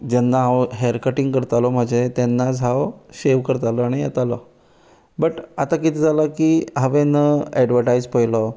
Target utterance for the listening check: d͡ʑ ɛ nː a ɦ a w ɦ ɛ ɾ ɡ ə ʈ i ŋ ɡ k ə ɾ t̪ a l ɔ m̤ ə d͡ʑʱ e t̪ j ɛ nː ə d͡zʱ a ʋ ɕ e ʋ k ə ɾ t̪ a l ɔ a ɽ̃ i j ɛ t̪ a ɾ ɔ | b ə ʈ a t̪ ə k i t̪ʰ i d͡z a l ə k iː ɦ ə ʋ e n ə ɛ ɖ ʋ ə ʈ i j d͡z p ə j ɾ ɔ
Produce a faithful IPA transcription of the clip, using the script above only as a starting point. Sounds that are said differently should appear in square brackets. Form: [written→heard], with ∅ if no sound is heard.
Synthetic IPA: d͡ʑ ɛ nː a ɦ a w ɦ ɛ ɾ [ɡ→k] ə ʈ i ŋ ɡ k ə ɾ t̪ a l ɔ m̤ ə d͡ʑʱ e t̪ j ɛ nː [ə→a] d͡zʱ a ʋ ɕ e ʋ k ə ɾ t̪ a l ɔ a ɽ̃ i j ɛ t̪ a [ɾ→l] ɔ | b ə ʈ a t̪ [ə→a] k i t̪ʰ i d͡z a l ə k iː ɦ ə ʋ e n ə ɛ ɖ ʋ ə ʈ [i→a] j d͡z p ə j [ɾ→l] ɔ